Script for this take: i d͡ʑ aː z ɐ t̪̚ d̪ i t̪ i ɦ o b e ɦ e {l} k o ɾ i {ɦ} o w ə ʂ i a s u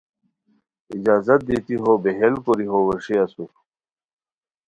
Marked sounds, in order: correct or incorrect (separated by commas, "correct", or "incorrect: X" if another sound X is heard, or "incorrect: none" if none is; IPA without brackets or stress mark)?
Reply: correct, correct